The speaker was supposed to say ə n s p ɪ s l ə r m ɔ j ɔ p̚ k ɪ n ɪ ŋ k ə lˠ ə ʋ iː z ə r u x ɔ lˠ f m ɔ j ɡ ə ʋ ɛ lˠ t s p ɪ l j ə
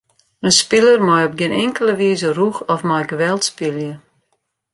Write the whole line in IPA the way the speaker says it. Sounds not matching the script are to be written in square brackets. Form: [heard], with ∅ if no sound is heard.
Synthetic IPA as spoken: ə n s p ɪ [∅] l ə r m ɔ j ɔ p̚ [ɡ] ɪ n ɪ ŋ k ə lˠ ə ʋ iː z ə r u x ɔ [∅] f m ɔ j ɡ ə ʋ ɛ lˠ t s p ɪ l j ə